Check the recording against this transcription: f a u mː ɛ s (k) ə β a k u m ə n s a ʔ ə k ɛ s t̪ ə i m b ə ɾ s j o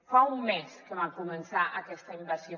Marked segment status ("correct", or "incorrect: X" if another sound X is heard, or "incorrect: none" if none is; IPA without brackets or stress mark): correct